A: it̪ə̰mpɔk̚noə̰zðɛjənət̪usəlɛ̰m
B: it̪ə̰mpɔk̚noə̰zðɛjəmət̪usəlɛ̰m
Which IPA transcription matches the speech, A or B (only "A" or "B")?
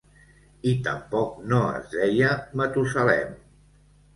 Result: B